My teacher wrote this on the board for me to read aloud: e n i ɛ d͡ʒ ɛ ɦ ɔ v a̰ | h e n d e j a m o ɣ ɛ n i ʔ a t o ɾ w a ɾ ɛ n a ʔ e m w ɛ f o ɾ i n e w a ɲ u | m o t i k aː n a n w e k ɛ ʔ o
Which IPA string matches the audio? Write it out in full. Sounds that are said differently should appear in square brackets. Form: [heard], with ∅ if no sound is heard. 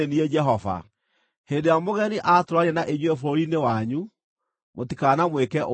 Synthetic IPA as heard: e n i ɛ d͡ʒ ɛ ɦ ɔ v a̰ | h e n d e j a m o ɣ ɛ n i ʔ a t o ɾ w a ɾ ɛ n a ʔ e [ɲ] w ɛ f o ɾ i n e w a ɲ u | m o t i k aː n a [m] w e k ɛ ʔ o